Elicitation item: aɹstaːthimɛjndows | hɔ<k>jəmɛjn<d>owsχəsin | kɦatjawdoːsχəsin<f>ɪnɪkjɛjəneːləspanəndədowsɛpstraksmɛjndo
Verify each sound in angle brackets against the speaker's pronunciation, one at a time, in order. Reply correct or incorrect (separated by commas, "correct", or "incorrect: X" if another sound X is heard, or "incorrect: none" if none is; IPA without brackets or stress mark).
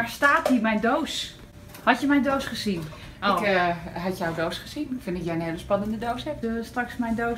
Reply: incorrect: t, correct, correct